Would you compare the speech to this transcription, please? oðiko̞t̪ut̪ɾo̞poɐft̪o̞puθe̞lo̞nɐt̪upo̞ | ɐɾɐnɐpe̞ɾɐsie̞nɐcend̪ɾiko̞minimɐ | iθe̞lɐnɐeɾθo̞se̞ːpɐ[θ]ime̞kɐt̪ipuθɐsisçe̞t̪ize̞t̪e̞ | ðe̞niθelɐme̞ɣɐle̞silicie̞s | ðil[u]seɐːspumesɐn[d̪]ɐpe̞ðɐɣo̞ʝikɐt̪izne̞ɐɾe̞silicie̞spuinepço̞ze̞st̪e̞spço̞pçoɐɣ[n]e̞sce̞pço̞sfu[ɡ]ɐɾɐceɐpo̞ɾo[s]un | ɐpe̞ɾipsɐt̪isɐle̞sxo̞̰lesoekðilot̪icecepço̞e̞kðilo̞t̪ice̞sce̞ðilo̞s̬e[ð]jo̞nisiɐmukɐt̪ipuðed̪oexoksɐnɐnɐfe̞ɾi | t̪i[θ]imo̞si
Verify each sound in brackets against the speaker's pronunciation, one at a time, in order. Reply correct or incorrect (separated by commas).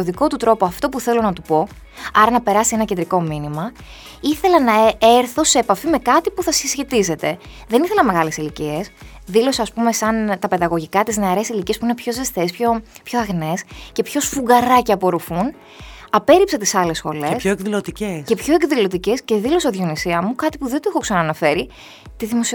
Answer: incorrect, incorrect, incorrect, correct, correct, incorrect, correct, incorrect